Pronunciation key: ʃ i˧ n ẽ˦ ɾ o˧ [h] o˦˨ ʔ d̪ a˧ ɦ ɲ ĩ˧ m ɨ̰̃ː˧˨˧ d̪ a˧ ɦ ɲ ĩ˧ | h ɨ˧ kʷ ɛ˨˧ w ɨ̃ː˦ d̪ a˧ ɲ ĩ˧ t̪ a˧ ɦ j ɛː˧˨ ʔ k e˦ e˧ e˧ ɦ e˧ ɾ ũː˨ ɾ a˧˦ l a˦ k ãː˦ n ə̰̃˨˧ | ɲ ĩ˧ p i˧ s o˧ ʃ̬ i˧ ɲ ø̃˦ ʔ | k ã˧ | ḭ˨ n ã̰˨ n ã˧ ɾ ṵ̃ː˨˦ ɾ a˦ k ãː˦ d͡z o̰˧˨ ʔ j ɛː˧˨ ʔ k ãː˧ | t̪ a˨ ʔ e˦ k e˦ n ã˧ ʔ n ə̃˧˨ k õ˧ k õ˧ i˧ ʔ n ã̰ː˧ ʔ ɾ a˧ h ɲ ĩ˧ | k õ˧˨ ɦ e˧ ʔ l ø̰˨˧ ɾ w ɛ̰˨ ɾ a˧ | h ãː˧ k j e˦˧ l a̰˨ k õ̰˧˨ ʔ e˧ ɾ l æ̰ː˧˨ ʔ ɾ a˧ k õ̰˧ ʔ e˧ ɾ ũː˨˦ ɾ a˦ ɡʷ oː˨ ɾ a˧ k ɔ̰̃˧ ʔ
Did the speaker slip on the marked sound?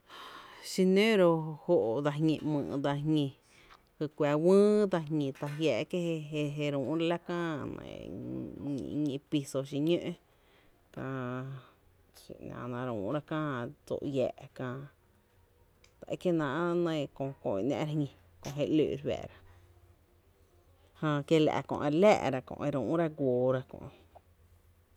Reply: no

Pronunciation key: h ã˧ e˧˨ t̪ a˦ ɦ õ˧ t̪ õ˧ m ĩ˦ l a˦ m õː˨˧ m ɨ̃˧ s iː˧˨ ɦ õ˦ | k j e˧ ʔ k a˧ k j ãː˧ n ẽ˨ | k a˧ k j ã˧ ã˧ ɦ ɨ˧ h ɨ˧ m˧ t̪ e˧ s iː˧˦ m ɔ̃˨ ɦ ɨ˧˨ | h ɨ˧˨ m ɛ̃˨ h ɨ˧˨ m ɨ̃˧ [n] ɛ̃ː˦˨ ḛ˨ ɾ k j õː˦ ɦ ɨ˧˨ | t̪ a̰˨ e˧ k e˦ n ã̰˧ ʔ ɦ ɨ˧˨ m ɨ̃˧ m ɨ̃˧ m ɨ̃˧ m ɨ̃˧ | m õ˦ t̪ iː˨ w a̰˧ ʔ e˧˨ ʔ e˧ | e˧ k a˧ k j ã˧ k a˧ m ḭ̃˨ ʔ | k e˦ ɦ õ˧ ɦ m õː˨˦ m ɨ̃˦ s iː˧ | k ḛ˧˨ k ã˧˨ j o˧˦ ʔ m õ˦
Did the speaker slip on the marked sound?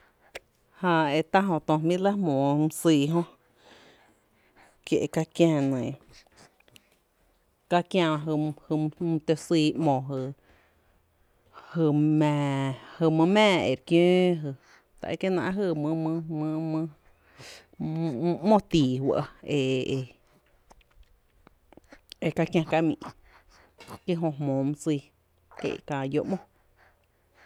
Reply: yes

